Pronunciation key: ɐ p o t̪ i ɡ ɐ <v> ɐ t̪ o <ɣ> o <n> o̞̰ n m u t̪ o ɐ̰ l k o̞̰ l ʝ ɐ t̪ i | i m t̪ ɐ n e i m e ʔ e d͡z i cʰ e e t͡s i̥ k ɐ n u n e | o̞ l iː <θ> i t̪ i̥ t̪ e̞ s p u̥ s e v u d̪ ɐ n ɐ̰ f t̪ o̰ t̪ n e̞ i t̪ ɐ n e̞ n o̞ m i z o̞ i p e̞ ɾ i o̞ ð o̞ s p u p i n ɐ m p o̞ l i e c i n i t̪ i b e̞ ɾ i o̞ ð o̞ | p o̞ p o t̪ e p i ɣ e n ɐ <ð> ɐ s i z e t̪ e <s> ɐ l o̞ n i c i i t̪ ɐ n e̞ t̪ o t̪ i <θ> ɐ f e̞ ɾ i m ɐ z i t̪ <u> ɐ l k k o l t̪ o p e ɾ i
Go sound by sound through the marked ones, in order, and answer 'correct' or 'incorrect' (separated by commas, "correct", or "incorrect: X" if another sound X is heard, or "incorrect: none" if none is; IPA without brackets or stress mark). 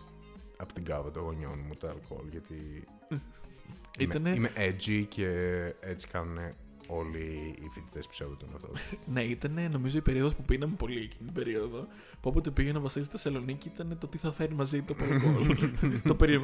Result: correct, correct, incorrect: ɲ, incorrect: f, incorrect: v, correct, correct, incorrect: o